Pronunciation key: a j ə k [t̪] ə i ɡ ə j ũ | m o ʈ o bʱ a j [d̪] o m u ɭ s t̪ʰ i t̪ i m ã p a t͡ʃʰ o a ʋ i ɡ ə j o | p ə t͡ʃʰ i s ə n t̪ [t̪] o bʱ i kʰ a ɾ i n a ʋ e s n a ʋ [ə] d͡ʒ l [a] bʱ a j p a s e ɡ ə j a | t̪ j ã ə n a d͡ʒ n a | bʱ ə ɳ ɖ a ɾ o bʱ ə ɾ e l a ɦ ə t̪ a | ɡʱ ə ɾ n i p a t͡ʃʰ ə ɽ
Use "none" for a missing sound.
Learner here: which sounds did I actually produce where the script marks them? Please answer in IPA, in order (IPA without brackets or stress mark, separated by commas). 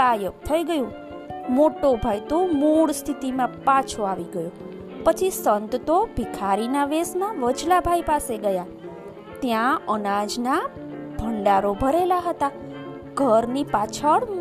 t̪ʰ, t̪, t̪, ə, a